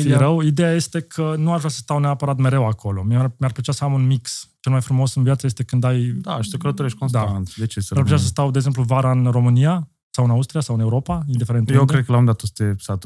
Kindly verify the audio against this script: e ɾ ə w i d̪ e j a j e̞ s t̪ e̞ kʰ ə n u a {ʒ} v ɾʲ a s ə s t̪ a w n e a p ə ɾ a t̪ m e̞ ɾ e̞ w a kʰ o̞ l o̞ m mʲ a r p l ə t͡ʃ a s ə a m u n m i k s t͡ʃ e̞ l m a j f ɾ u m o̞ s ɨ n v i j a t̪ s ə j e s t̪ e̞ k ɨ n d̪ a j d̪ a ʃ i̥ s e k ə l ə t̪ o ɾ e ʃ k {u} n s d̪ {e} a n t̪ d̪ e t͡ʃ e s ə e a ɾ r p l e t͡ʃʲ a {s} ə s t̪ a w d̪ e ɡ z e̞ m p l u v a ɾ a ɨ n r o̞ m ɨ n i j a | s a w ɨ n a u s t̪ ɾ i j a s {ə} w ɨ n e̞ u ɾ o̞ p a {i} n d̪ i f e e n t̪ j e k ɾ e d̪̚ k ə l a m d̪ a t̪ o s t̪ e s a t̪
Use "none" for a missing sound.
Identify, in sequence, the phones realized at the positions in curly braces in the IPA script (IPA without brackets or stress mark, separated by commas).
ʃ, o, a, s, a, i